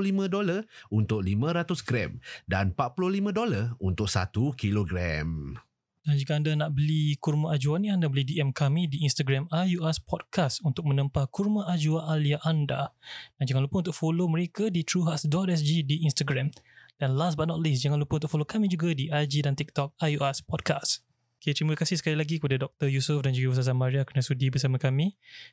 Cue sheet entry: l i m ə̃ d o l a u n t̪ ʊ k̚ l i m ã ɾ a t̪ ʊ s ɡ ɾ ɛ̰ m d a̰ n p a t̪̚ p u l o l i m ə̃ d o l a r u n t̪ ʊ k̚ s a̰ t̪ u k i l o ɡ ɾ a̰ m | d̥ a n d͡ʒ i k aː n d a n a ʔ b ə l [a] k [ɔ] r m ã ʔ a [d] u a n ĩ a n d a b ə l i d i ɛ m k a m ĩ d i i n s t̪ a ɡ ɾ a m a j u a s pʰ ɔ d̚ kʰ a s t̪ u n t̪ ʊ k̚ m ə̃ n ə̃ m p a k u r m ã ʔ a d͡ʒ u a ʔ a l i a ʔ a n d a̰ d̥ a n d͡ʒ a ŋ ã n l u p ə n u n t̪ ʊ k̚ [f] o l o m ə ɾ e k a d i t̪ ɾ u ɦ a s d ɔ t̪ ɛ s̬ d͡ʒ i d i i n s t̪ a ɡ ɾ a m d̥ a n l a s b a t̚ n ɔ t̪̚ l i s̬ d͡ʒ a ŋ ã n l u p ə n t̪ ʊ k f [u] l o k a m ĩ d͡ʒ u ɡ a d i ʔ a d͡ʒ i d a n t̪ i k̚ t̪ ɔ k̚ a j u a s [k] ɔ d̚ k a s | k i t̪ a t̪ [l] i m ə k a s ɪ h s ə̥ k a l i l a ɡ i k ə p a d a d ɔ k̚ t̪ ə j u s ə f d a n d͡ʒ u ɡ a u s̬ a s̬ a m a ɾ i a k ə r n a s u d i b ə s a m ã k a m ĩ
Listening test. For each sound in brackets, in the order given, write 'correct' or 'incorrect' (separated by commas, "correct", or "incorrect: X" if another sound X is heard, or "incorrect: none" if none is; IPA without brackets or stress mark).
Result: incorrect: i, incorrect: u, incorrect: d͡ʒ, correct, incorrect: o, incorrect: p, incorrect: ɾ